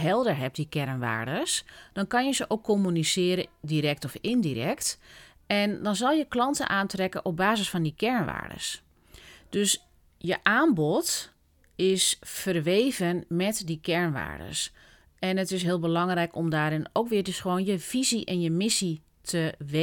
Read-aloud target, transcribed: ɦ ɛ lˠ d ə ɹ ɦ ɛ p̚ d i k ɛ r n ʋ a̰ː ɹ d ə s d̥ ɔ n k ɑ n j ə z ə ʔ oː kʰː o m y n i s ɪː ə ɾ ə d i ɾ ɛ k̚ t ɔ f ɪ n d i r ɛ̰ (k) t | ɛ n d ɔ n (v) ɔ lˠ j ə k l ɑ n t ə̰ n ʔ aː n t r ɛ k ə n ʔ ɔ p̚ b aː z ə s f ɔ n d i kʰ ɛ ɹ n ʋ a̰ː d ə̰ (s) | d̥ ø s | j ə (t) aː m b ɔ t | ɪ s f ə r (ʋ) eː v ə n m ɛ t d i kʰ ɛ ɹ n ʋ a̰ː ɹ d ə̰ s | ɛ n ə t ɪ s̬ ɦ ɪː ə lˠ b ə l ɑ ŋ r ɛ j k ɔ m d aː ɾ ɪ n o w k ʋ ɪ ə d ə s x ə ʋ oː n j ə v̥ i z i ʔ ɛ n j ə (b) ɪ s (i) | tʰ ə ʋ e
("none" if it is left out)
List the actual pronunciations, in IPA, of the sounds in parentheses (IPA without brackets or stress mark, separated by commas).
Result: k, z, s, ʔ, ʋ, m, i